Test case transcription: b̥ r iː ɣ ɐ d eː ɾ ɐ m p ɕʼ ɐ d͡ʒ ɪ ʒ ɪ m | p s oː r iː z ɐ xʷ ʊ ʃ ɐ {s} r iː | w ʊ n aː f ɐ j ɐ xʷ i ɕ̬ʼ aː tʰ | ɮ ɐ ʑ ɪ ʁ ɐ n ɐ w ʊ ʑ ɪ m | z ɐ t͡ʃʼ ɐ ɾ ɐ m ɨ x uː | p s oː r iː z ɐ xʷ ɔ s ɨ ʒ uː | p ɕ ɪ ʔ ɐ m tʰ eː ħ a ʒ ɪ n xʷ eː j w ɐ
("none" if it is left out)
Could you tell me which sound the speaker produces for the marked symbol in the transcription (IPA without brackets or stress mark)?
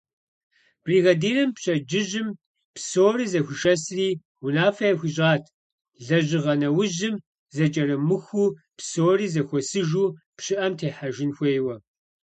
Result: s